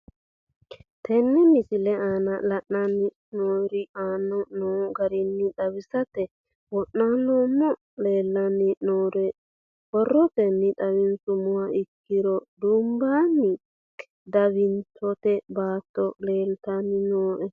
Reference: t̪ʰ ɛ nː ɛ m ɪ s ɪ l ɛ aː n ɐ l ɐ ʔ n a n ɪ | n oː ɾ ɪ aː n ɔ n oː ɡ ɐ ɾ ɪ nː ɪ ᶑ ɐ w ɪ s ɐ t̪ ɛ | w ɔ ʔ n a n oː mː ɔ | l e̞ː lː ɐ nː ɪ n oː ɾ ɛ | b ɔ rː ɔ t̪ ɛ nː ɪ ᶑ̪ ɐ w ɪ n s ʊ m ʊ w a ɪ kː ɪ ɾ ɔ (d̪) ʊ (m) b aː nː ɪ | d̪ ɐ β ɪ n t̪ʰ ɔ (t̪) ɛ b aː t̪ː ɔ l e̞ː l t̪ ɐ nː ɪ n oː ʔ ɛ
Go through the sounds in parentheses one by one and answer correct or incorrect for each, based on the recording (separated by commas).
correct, correct, correct